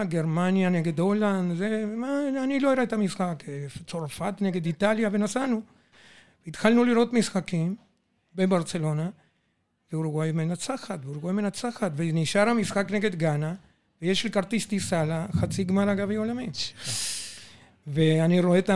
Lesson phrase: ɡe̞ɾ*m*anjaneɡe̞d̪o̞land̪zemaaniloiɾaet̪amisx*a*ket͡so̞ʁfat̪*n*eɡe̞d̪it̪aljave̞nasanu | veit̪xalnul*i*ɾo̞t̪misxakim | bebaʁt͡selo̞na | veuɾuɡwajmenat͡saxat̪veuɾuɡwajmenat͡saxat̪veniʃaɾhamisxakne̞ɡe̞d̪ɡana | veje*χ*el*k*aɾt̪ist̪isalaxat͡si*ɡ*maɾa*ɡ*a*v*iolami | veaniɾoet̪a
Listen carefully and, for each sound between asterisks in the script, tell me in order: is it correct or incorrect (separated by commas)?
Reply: correct, correct, correct, correct, incorrect, correct, correct, correct, correct